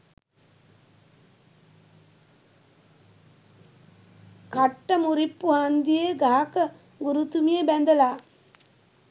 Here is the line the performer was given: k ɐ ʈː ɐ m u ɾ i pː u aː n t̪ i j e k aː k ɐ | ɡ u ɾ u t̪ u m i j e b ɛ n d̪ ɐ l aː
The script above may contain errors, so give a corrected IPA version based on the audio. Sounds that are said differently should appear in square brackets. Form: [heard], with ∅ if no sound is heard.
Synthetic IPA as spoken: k ɐ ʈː ɐ m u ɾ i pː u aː n [d̪] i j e [ɡ] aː k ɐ | ɡ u ɾ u t̪ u m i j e b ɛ n d̪ ɐ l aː

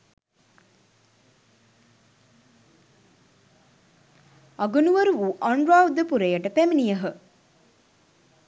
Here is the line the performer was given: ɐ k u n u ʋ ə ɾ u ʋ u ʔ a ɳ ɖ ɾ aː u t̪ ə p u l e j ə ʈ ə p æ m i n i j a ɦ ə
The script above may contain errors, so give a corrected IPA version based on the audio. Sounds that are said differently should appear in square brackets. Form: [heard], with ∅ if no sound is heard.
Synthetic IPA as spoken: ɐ [ɡ] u n u ʋ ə ɾ u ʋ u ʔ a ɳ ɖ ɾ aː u [d̪] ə p u [ɾ] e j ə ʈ ə p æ m i n i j [ə] ɦ ə

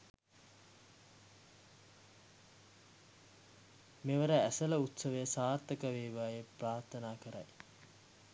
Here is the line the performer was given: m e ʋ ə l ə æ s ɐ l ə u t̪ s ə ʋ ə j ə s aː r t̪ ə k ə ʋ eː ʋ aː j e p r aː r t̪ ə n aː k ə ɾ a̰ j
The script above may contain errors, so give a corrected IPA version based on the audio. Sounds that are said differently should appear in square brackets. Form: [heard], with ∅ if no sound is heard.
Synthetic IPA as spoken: m e ʋ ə [ɾ] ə æ s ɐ l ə u t̪ s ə ʋ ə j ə s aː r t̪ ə k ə ʋ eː ʋ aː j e p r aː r t̪ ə n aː k ə ɾ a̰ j

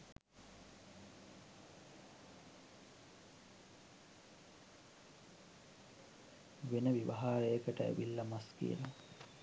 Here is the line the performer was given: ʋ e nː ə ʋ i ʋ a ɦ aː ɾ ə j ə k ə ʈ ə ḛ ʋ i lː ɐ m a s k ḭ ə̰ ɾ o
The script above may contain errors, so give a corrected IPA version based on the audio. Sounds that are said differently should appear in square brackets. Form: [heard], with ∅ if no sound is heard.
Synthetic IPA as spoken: ʋ e [n] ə ʋ i ʋ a ɦ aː ɾ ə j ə k ə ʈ ə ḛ ʋ i lː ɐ m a s k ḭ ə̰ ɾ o

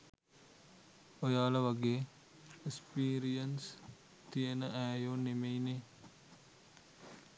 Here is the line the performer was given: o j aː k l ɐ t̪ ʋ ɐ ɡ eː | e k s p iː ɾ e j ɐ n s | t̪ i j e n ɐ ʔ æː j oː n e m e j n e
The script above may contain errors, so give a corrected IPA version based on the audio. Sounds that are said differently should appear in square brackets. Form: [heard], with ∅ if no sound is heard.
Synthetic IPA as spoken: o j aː [∅] l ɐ [∅] ʋ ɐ ɡ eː | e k s p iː ɾ [i] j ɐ n s | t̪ i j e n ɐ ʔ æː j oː n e m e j n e

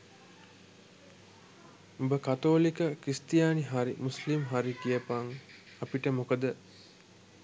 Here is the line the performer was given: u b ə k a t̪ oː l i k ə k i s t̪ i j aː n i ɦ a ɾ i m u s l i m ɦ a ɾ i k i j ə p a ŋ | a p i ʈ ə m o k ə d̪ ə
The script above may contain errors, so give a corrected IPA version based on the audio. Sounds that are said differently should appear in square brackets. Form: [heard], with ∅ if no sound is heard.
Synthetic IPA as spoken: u b ə k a t̪ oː l i k ə k i s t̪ i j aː n i ɦ a ɾ i m u s l i m ɦ a ɾ i k i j ə p a ŋ | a p i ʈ ə m o k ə d̪ ə

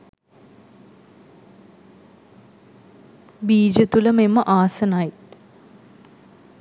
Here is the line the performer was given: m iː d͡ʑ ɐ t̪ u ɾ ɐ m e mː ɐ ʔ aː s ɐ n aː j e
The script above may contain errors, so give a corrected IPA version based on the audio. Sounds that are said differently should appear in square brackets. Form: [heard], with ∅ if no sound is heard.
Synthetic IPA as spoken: [b] iː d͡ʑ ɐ t̪ u [l] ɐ m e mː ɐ ʔ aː s ɐ n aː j [i]

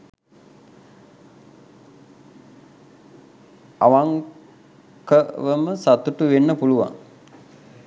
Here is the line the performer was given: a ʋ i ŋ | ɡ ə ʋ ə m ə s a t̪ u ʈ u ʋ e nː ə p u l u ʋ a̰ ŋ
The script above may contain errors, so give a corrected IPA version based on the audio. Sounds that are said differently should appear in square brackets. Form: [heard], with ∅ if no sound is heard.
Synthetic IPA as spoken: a ʋ [a] ŋ | [k] ə ʋ ə m ə s a t̪ u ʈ u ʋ e nː ə p u l u ʋ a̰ ŋ

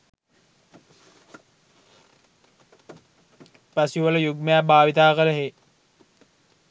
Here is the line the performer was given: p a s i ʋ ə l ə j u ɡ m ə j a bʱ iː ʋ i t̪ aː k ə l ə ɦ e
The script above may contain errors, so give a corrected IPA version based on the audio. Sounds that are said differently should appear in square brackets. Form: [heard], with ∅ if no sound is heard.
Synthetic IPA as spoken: p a s i ʋ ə l ə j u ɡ m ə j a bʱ [aː] ʋ i t̪ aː k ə l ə ɦ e

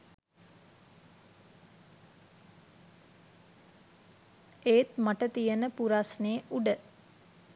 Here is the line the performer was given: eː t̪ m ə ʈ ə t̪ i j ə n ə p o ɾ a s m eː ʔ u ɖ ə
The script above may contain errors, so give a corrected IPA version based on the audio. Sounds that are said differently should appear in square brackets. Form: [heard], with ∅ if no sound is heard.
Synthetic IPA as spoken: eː t̪ m [a] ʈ ə t̪ i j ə n ə p [u] ɾ a s [n] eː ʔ u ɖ ə

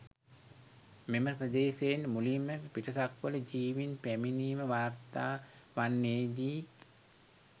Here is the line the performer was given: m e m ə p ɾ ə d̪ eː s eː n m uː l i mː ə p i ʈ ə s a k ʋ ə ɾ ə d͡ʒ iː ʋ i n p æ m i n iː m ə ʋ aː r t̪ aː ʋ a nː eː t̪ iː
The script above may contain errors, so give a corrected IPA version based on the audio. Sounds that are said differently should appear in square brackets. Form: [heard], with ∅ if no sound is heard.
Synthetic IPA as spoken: m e m ə p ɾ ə d̪ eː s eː n m [u] l i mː ə p i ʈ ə s a k ʋ ə [l] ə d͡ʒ iː ʋ i n p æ m i n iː m ə ʋ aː r t̪ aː ʋ a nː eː [d̪] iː

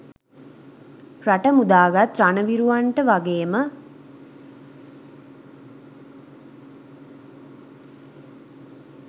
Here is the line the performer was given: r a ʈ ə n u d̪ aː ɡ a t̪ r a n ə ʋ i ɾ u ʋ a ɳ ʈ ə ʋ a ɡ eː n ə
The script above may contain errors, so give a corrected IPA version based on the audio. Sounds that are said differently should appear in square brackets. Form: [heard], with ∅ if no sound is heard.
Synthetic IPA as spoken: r a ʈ ə [m] u d̪ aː ɡ a t̪ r a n ə ʋ i ɾ u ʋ a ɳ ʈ ə ʋ a ɡ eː [m] ə

